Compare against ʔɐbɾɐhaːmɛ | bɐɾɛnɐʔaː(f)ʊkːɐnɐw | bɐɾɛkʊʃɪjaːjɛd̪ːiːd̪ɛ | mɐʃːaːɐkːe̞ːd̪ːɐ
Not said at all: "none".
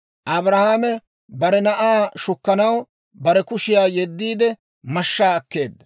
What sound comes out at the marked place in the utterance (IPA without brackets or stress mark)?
ʃ